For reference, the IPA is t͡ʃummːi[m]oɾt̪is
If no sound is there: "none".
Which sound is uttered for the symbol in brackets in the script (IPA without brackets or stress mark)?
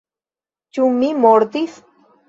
m